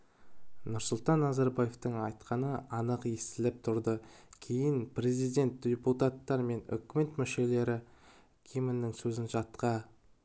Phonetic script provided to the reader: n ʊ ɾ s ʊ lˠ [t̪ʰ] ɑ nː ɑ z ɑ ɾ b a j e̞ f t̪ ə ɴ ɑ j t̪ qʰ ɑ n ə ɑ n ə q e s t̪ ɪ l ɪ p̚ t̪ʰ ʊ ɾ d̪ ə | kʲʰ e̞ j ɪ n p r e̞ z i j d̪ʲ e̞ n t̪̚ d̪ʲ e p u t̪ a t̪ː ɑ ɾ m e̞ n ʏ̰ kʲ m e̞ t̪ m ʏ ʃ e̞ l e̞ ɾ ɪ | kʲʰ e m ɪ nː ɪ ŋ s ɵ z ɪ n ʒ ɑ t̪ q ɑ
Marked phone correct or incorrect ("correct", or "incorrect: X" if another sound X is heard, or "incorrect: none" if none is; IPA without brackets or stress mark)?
incorrect: t̪